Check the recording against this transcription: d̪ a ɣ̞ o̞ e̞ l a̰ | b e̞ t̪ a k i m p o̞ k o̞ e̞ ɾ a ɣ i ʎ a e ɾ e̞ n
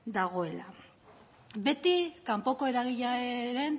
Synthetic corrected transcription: d̪ a ɣ̞ o̞ e̞ l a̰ | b e̞ t̪ i k a m p o̞ k o̞ e̞ ɾ a ɣ i ʎ a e ɾ e̞ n